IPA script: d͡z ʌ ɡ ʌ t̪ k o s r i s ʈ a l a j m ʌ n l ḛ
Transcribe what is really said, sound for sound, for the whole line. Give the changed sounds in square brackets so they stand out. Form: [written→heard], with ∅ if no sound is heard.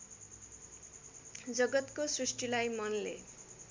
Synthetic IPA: d͡z ʌ ɡ ʌ t̪ k o s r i s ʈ [a→i] l a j m ʌ n l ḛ

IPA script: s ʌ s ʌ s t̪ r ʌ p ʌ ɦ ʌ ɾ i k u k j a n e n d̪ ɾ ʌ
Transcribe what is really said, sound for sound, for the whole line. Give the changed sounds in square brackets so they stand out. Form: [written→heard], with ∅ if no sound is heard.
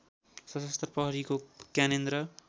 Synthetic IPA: s ʌ s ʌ s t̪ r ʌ p ʌ ɦ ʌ ɾ i k [u→o] k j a n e n d̪ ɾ ʌ

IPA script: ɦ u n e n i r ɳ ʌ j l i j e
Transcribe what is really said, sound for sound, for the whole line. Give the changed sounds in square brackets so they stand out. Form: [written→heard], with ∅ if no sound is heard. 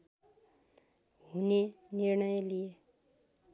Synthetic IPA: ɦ u n e n i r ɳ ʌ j l i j e

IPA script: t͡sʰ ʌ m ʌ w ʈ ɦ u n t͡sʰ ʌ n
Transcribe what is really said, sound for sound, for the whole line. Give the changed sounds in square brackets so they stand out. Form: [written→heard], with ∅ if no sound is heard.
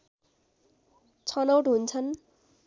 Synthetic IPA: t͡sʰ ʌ [m→n] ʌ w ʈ ɦ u n t͡sʰ ʌ n

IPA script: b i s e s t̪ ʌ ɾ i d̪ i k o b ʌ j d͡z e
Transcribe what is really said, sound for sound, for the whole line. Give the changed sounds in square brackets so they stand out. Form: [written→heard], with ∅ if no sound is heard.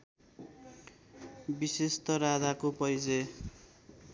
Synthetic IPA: b i s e s t̪ ʌ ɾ [i→a] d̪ [i→a] k o [b→p] ʌ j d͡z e

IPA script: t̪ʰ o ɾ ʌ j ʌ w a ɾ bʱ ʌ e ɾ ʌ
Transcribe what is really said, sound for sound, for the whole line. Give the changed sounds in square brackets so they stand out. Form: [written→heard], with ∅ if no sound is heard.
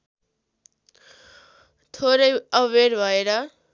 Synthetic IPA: t̪ʰ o ɾ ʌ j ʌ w [a→e] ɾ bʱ ʌ e ɾ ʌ

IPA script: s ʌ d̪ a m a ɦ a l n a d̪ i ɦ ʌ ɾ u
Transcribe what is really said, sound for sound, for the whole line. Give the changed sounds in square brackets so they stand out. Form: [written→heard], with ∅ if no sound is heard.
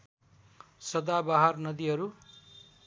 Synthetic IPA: s ʌ d̪ a [m→b] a ɦ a [l→r] n [a→ʌ] d̪ i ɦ ʌ ɾ u

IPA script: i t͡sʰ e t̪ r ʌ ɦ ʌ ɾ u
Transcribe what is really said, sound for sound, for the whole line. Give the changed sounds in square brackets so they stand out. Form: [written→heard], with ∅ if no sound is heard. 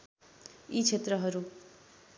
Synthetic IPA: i t͡sʰ e t̪ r ʌ ɦ ʌ ɾ u

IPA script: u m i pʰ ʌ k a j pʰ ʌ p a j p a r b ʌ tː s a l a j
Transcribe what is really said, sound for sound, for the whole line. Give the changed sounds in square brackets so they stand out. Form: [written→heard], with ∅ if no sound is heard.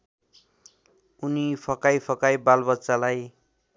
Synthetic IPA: u [m→n] i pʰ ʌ k a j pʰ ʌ [p→k] a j [p→b] a [r→l] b ʌ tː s a l a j

